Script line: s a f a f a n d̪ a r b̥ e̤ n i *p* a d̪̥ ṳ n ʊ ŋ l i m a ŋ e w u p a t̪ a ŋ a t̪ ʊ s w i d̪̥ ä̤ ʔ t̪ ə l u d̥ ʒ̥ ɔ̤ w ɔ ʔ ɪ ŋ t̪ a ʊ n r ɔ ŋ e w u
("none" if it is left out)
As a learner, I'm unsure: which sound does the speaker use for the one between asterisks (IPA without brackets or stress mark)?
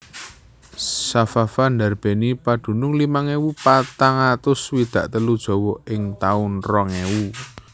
p